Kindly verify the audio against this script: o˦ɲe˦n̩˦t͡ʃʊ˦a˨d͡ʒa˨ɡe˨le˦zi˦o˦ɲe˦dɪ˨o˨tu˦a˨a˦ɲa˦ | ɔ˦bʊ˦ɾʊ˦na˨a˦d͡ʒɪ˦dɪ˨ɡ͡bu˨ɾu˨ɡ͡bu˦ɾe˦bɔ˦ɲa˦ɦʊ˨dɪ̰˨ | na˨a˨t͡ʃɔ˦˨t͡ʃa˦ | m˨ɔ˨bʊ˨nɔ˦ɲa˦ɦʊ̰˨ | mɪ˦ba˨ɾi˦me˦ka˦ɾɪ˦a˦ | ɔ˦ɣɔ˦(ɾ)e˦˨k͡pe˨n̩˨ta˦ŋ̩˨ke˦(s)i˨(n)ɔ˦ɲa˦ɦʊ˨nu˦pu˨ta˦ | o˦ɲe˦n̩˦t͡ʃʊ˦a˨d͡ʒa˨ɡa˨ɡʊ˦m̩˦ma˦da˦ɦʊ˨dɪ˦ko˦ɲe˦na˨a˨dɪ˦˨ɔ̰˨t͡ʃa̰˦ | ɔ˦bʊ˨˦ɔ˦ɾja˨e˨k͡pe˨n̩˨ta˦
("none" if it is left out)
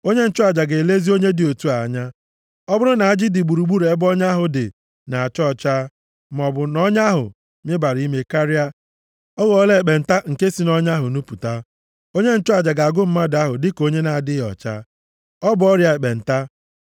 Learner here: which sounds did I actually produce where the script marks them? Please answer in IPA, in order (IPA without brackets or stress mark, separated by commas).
l, s, n